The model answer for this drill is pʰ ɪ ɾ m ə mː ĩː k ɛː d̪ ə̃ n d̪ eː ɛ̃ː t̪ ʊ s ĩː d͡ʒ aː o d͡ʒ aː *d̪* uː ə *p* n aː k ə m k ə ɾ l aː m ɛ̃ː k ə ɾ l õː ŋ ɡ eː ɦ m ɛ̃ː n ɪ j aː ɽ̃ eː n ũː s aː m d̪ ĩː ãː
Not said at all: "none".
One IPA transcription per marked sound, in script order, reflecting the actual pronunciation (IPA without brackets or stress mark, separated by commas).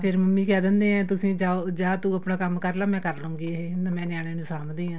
t̪, p